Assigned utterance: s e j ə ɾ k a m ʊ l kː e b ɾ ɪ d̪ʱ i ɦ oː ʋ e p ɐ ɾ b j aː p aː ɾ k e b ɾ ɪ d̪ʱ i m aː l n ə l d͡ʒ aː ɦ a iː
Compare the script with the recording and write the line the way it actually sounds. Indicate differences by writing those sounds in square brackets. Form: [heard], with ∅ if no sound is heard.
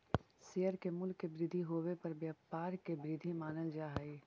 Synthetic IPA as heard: s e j ə ɾ k [e] m ʊ l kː e b ɾ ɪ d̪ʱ i ɦ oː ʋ e p ɐ ɾ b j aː p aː ɾ k e b ɾ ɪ d̪ʱ i m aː [∅] n ə l d͡ʒ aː ɦ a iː